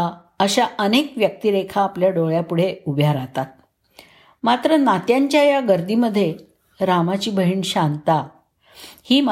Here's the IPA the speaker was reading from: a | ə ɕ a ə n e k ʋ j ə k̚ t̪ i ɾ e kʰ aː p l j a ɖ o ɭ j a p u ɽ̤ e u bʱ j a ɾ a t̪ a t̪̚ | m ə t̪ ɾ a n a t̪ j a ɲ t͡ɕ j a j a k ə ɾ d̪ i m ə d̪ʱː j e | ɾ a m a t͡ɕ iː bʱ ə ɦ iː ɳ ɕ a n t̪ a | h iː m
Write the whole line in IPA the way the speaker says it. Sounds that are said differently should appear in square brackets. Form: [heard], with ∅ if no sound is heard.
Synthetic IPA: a | ə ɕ a ə n e k ʋ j ə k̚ t̪ i ɾ e kʰ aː p l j a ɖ o ɭ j a p u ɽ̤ e u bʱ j a ɾ a t̪ a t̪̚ | m [a] t̪ ɾ [ə] n a t̪ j a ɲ t͡ɕ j a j a [ɡ] ə ɾ d̪ i m ə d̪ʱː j e | ɾ a m a t͡ɕ iː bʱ ə ɦ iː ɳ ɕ a n t̪ a | h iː m